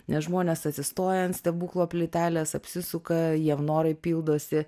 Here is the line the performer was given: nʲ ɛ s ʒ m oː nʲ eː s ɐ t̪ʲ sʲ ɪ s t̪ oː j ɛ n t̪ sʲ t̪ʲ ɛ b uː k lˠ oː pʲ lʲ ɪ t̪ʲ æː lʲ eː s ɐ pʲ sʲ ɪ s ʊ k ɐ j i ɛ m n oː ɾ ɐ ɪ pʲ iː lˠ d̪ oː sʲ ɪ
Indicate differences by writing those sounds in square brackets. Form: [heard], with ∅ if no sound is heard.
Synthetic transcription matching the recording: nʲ ɛ s ʒ m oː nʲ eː s ɐ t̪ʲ sʲ ɪ s t̪ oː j ɛ n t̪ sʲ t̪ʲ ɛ b uː k lˠ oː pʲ lʲ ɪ t̪ʲ æː lʲ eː s ɐ pʲ sʲ ɪ s ʊ k ɐ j i ɛ m n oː ɾ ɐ ɪ pʲ iː lˠ d̪ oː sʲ ɪ